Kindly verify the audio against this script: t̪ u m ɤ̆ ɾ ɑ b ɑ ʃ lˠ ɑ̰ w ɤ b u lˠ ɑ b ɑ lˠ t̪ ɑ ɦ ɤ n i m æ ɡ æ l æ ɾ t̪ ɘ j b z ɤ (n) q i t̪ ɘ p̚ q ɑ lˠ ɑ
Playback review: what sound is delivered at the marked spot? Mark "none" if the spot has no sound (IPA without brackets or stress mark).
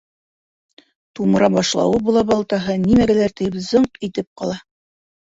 ɴ